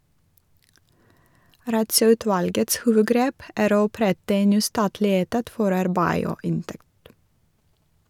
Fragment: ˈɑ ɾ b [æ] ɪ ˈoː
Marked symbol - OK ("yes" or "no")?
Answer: yes